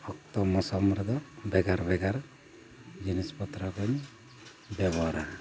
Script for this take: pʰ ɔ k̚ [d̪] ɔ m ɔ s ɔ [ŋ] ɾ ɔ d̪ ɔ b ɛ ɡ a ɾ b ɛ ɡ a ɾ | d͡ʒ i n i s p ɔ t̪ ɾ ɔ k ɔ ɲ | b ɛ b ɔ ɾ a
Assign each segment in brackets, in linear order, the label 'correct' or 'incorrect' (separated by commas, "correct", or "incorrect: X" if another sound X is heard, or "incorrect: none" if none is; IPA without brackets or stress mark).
incorrect: t̪, incorrect: m